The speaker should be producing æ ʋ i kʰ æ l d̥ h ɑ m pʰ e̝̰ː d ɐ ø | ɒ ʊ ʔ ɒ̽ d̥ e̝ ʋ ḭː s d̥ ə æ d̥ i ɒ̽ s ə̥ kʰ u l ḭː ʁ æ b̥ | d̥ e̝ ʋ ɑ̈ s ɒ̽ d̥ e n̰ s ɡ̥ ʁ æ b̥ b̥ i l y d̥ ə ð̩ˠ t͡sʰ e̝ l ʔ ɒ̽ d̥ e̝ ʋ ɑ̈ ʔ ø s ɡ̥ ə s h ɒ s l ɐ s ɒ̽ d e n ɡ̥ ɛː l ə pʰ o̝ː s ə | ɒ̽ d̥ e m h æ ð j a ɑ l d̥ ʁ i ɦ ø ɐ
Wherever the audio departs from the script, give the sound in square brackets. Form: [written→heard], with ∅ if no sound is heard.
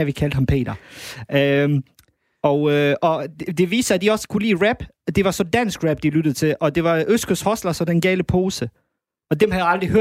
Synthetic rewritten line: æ ʋ i kʰ æ l d̥ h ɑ m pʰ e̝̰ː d ɐ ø | ɒ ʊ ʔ ɒ̽ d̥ e̝ ʋ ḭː s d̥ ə æ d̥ i ɒ̽ s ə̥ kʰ u l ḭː ʁ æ b̥ | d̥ e̝ ʋ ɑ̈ s ɒ̽ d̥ [e→æ] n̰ s ɡ̥ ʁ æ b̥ [b̥→d̥] i l y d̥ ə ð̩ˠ t͡sʰ e̝ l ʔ ɒ̽ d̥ e̝ ʋ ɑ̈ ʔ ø s ɡ̥ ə s h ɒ s l ɐ s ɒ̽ d e n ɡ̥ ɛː l ə pʰ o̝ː s ə | ɒ̽ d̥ e m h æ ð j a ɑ l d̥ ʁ i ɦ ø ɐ